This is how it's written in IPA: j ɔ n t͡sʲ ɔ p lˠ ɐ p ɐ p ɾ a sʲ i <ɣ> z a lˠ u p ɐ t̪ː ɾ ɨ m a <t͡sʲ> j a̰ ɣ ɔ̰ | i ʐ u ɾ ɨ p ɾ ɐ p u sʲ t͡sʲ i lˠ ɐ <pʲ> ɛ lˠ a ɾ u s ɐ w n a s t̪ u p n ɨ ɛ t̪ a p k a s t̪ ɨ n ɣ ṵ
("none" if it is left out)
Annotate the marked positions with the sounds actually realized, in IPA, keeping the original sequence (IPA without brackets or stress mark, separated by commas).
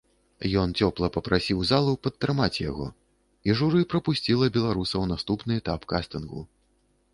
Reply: w, t͡sʲ, bʲ